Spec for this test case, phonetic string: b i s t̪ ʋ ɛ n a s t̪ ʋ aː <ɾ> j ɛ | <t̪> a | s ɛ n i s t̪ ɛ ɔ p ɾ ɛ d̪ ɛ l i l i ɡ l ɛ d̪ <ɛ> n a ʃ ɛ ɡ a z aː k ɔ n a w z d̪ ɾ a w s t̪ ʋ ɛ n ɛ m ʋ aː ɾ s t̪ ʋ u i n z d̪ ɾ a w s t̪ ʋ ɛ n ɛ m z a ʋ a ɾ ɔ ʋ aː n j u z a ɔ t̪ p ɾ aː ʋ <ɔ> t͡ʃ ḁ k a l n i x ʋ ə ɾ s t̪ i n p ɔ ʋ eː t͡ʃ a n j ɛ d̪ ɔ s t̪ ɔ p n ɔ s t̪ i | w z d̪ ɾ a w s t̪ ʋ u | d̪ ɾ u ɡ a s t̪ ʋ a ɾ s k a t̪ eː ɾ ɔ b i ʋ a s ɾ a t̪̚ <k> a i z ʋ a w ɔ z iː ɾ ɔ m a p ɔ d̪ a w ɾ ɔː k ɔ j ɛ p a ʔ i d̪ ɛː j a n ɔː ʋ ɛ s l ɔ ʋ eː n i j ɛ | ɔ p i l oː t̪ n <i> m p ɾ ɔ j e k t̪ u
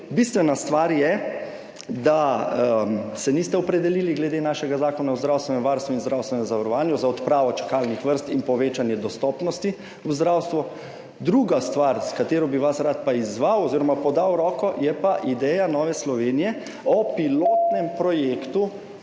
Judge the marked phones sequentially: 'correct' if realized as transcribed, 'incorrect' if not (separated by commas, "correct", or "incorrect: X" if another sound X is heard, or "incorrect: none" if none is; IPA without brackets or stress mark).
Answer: correct, incorrect: d̪, incorrect: e, correct, incorrect: p, incorrect: ɛ